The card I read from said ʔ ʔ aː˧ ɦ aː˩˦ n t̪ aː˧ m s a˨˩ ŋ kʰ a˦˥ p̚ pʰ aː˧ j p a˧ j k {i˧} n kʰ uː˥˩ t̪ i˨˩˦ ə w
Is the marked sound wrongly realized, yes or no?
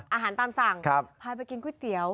no